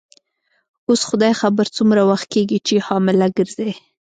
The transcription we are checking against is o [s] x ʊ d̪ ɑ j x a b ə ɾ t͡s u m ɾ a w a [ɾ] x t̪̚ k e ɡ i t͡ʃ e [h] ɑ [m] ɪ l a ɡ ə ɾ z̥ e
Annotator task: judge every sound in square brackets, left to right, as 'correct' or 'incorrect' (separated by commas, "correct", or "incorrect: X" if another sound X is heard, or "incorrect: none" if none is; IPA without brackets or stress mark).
correct, incorrect: none, correct, correct